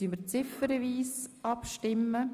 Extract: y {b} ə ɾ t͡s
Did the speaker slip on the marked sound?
yes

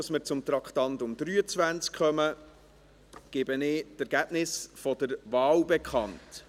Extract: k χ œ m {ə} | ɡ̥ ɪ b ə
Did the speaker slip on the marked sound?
no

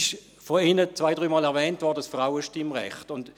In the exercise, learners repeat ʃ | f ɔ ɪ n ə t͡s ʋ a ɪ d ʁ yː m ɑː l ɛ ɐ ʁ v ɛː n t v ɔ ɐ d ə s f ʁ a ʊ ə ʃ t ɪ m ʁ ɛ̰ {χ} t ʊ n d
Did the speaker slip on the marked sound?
no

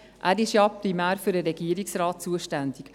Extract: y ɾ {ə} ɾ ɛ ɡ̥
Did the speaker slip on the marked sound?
no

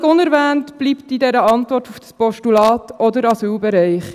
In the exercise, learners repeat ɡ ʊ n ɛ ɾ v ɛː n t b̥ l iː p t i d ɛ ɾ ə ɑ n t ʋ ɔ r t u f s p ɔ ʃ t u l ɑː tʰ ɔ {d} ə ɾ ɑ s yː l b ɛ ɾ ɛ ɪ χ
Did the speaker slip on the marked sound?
no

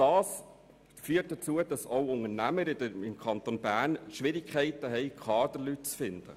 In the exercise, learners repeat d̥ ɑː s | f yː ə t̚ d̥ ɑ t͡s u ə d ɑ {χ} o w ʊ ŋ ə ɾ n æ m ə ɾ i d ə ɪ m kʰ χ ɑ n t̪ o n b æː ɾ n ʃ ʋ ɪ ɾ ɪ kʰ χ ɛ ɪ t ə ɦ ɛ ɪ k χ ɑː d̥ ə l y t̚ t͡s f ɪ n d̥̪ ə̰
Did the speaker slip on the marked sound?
yes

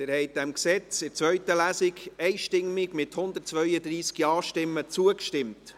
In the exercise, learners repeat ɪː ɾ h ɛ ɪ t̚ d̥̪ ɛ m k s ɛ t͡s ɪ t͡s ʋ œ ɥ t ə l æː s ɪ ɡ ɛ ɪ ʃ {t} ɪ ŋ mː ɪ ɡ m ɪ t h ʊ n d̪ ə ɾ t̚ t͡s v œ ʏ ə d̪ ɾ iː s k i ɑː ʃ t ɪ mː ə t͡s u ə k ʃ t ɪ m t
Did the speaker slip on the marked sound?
no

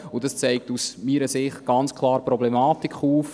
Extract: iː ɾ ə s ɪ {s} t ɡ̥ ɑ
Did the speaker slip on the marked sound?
yes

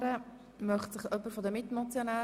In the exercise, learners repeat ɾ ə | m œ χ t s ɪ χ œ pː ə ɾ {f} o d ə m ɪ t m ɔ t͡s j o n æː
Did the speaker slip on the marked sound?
no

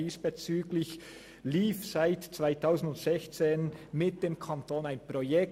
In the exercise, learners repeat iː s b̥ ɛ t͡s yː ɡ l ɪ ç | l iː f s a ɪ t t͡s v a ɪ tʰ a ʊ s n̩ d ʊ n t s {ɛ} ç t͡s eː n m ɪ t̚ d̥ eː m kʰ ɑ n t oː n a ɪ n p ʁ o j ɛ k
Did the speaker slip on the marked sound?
no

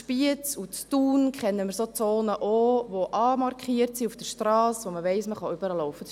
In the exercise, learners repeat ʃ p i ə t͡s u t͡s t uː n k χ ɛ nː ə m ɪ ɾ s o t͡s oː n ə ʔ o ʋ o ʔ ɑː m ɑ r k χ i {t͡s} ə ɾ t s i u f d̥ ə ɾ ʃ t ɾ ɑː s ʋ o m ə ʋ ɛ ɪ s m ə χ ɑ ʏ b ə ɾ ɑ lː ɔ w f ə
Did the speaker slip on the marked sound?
yes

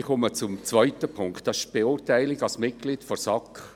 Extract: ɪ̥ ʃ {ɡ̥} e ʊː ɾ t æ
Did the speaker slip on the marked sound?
yes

